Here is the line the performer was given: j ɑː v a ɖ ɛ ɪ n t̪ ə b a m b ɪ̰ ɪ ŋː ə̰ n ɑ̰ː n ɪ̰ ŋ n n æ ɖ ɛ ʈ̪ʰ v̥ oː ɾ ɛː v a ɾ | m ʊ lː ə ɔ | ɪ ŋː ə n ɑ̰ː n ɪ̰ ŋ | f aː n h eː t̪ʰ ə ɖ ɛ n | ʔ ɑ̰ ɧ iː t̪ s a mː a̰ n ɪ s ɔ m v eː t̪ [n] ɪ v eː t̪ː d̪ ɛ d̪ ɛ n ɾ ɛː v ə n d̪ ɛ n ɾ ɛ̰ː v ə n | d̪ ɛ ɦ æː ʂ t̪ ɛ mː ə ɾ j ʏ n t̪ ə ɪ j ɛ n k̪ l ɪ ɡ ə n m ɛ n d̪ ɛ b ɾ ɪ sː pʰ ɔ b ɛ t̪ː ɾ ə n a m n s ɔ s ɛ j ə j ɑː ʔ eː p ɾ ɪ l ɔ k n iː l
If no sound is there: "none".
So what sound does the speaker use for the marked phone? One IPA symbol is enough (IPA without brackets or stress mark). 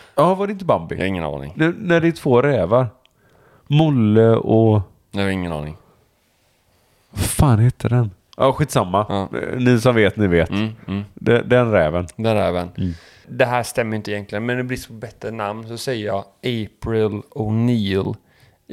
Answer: n